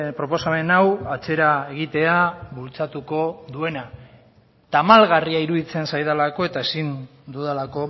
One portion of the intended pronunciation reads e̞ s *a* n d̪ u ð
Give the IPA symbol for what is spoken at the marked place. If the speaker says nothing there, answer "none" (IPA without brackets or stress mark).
i